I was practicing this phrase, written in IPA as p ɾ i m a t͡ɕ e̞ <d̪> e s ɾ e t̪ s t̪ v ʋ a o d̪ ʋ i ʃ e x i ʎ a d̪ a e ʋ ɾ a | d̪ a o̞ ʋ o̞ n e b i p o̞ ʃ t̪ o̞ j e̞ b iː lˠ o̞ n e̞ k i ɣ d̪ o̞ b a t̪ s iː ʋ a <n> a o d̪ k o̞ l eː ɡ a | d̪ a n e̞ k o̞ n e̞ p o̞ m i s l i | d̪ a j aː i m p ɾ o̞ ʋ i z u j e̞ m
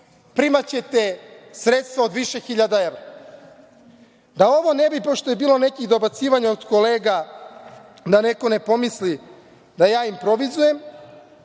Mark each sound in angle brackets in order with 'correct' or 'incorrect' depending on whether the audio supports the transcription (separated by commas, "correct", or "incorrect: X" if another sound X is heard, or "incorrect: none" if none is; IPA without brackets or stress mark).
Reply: incorrect: t̪, incorrect: ɲ